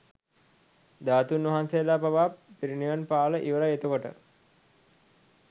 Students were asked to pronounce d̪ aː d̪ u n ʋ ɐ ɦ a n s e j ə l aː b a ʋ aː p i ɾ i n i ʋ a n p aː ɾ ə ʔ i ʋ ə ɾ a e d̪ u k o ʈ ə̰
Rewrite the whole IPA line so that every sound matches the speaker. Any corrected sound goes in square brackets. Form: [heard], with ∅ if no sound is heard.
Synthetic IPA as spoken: d̪ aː [t̪] u n ʋ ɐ ɦ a n s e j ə l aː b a ʋ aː p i ɾ i n i ʋ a n p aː [l] ə ʔ i ʋ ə ɾ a e [t̪] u k o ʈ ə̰